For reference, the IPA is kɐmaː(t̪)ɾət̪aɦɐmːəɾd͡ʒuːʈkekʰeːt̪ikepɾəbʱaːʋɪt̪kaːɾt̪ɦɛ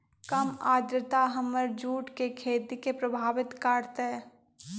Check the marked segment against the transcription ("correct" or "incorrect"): incorrect